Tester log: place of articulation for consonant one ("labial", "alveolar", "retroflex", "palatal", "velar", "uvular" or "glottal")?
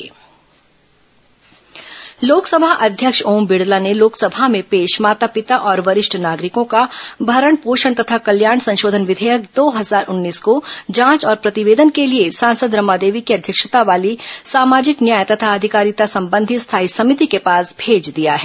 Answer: alveolar